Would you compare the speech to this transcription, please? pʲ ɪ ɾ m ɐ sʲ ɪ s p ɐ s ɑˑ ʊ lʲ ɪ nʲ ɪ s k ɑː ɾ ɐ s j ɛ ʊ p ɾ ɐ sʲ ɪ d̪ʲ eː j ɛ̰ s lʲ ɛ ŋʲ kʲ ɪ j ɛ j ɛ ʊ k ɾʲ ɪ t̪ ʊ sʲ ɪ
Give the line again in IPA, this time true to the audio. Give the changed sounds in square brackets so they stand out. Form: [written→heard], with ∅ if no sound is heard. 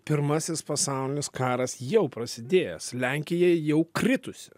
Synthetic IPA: pʲ ɪ ɾ m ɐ sʲ ɪ s p ɐ s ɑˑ ʊ lʲ ɪ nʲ ɪ s k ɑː ɾ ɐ s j ɛ ʊ p ɾ ɐ sʲ ɪ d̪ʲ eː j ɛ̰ s lʲ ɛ ŋʲ kʲ ɪ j ɛ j ɛ ʊ k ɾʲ ɪ t̪ ʊ sʲ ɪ